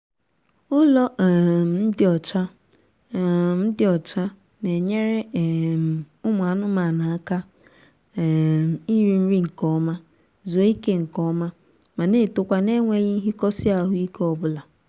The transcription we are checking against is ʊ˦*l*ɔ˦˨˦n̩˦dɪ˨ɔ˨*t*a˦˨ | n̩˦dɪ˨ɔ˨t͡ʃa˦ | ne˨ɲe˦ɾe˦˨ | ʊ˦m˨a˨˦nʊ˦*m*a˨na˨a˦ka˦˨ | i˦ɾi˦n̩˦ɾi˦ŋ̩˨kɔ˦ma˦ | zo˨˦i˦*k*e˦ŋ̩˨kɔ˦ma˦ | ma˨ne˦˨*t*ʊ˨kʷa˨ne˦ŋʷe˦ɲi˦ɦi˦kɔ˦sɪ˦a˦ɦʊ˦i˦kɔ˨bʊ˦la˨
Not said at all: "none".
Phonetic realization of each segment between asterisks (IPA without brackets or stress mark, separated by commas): l, t͡ʃ, m, k, t